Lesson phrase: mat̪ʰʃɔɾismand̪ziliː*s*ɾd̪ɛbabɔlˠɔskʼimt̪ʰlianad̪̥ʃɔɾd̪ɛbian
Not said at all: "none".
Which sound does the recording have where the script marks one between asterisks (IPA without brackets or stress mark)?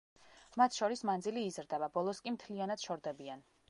z